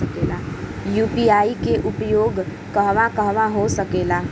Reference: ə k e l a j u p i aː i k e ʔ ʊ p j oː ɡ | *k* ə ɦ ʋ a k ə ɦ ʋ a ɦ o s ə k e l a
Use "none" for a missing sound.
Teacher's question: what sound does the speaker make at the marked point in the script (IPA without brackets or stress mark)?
k